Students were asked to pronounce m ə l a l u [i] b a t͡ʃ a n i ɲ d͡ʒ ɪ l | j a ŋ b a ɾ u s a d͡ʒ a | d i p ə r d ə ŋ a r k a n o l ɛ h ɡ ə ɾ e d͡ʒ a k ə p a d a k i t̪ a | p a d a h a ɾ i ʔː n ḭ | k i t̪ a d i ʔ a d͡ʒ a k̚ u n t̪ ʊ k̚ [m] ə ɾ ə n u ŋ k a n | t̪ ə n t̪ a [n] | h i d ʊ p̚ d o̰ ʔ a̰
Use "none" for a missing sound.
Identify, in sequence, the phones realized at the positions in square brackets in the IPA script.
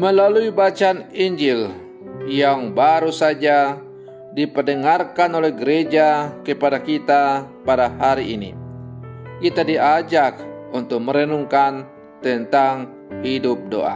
i, m, ŋ

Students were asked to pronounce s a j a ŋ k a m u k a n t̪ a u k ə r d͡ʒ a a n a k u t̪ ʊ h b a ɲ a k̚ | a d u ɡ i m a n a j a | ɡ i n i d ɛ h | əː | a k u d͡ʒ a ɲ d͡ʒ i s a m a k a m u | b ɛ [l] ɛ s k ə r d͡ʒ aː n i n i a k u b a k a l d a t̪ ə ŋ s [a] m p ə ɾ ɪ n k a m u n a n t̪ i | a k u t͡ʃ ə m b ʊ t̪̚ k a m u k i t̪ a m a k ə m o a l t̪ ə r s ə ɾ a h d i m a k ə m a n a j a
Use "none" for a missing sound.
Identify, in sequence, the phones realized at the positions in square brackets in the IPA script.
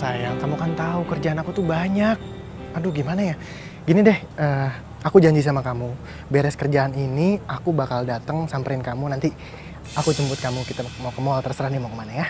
ɾ, a

